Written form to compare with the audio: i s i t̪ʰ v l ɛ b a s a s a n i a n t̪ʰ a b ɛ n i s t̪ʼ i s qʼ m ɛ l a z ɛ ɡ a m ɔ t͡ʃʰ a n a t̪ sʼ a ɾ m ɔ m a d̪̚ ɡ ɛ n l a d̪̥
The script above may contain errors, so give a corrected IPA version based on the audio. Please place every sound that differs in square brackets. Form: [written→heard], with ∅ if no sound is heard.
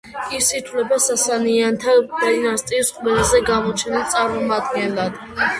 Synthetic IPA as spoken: i s i t̪ʰ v l ɛ b a s a s a n i a n t̪ʰ a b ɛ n [i→a] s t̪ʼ i s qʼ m ɛ l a z ɛ ɡ a m ɔ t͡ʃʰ [a→ɛ] n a t̪ sʼ a ɾ m ɔ m a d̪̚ ɡ ɛ n l a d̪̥